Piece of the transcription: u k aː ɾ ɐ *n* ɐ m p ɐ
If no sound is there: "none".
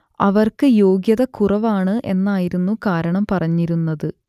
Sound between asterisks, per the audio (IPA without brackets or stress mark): ɳ